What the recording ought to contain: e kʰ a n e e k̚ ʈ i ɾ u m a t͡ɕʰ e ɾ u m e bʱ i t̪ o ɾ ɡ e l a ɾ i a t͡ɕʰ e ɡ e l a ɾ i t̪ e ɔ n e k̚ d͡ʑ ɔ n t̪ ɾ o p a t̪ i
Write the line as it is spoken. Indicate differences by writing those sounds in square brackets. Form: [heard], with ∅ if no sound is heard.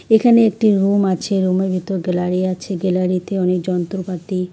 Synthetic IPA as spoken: e kʰ a n e e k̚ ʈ i ɾ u m a t͡ɕʰ e ɾ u m e bʱ i t̪ o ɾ ɡ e l a ɾ i a t͡ɕʰ e ɡ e l a ɾ i t̪ e ɔ n e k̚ d͡ʑ ɔ n t̪ ɾ o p a t̪ i